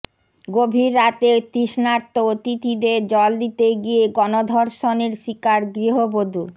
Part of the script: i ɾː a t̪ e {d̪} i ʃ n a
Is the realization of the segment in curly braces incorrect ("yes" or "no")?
yes